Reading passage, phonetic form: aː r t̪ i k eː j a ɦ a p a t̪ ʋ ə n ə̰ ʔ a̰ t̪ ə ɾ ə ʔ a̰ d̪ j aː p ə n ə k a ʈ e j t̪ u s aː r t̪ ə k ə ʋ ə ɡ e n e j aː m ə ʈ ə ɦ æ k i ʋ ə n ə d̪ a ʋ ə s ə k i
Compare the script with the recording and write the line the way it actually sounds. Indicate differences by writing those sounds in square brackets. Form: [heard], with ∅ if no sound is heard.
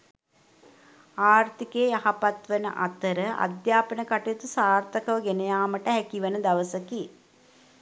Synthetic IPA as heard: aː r t̪ i k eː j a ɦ a p a t̪ ʋ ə n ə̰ ʔ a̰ t̪ ə ɾ ə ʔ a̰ d̪ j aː p ə n ə k a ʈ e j t̪ u s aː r t̪ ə k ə ʋ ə ɡ e n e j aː m ə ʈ ə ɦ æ k i ʋ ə n ə d̪ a ʋ ə s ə k i